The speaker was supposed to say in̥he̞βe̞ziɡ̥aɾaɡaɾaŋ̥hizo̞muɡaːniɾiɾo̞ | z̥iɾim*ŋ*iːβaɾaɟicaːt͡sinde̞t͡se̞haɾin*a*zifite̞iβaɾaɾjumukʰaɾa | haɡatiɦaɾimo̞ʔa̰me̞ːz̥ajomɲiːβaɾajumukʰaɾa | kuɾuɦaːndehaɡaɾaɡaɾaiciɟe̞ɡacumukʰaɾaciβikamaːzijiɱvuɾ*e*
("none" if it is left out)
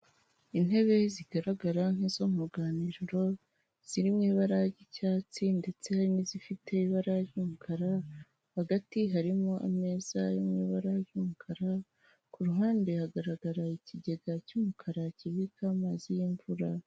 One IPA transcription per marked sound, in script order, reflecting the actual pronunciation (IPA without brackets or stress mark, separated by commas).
ɲ, i, a